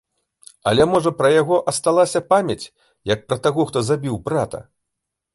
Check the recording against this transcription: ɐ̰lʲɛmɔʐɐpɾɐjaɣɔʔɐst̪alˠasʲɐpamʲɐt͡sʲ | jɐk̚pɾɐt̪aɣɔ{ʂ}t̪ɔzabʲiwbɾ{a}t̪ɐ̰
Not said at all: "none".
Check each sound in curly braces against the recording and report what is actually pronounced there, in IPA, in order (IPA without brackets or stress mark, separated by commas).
x, a